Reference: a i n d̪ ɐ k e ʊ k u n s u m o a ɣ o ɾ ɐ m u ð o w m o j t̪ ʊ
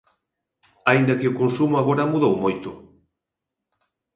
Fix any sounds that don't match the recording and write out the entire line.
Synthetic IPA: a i n d̪ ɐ k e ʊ k o n s u m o a ɣ o ɾ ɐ m u ð o w m o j t̪ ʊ